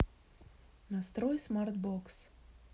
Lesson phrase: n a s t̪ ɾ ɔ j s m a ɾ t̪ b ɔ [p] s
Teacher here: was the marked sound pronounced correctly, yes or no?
no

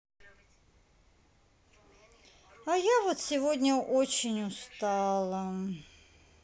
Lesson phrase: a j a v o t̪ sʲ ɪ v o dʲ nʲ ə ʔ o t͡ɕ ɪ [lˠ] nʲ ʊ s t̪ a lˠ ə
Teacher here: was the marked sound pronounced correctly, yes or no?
no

